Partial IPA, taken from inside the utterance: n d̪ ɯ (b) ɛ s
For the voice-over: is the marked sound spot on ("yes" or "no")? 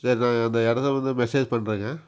no